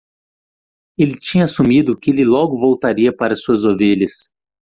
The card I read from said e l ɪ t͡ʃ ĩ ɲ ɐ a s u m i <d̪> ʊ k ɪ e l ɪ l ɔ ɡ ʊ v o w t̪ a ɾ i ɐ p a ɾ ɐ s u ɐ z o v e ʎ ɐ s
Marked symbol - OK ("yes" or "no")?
yes